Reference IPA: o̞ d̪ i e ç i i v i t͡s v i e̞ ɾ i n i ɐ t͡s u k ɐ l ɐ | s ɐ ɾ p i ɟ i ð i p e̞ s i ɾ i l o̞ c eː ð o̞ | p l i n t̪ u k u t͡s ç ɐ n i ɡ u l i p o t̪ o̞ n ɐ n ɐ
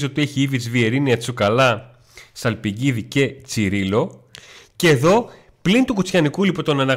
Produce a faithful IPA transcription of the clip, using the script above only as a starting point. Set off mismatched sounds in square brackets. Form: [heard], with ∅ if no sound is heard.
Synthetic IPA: o̞ [t̪] i e ç i i v i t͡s v i e̞ ɾ i n i ɐ t͡s u k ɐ l ɐ | s ɐ [l] p i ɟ i ð i [c] e̞ [t͡s] i ɾ i l o̞ c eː ð o̞ | p l i n t̪ u k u t͡s ç ɐ n i [k] u l i p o t̪ o̞ n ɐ n ɐ